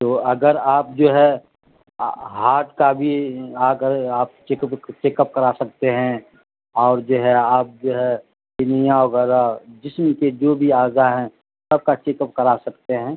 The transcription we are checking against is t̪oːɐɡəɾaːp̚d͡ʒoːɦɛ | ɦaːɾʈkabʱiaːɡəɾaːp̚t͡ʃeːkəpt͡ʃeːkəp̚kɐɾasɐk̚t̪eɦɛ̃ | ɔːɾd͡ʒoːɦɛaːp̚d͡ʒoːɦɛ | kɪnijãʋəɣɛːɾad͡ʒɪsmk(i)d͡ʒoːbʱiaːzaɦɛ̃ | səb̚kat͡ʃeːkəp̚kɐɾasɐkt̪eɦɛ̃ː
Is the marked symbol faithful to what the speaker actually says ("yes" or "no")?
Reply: no